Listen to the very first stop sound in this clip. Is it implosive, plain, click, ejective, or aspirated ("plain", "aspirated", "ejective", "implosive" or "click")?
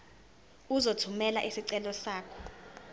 aspirated